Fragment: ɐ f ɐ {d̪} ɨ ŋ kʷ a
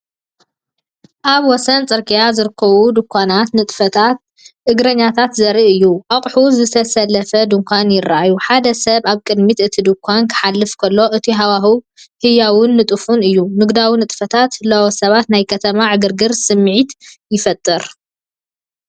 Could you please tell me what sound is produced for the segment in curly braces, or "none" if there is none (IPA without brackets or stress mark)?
d̪